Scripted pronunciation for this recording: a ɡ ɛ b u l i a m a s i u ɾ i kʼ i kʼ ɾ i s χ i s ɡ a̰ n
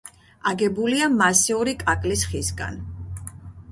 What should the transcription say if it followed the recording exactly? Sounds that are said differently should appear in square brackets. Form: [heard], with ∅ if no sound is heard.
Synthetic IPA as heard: a ɡ ɛ b u l i a m a s i u ɾ i kʼ [a] kʼ [l] i s χ i s ɡ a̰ n